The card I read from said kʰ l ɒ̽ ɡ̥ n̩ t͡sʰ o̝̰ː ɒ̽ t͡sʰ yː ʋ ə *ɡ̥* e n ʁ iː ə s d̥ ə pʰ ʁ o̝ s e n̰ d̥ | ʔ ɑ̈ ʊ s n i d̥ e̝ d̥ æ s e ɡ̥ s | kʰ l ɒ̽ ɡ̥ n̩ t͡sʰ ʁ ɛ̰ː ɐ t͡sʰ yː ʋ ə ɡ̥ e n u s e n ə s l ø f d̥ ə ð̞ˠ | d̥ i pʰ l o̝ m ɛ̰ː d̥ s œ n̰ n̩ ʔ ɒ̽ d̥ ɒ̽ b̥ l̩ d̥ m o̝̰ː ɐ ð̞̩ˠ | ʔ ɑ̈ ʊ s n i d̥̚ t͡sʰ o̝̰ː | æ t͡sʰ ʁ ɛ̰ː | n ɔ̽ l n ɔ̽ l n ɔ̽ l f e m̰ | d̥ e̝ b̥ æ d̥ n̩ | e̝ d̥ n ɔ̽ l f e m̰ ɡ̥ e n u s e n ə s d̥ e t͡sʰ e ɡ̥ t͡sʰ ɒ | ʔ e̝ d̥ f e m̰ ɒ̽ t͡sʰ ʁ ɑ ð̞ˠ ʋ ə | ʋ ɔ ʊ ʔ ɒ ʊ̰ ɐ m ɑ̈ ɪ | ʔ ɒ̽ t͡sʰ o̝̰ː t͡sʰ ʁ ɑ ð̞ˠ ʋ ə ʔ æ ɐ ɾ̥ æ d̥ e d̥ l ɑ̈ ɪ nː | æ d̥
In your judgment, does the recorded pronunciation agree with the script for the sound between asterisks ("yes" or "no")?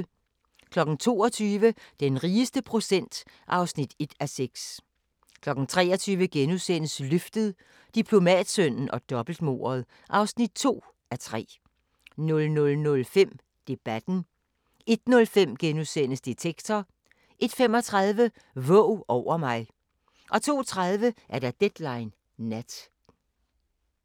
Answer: no